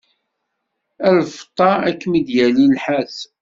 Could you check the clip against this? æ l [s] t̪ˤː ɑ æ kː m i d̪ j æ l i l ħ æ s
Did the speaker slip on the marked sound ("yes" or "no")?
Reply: yes